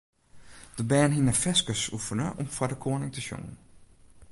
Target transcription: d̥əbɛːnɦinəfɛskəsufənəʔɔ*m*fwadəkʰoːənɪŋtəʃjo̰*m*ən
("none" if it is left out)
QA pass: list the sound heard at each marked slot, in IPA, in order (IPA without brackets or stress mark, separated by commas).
m, ŋ